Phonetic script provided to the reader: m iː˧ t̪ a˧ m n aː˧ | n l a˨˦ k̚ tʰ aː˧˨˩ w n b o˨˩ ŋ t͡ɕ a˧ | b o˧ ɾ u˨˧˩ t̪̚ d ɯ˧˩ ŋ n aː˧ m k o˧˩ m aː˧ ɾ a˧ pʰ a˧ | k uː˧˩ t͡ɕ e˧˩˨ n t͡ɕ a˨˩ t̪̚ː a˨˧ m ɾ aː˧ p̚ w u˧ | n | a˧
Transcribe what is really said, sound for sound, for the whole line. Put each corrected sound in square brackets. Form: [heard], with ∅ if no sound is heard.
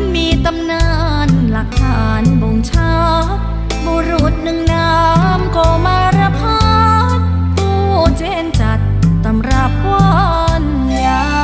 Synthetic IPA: m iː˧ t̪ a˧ m n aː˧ | n l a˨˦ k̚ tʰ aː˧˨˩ [∅] n b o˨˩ ŋ [t͡ɕʰ] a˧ | b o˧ ɾ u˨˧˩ t̪̚ [n] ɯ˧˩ ŋ n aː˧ m k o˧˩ m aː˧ ɾ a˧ pʰ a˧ | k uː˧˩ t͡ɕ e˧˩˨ n t͡ɕ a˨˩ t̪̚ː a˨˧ m ɾ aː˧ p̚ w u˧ | n | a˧